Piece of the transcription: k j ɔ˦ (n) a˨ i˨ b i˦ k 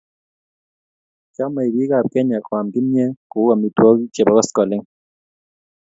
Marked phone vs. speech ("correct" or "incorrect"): incorrect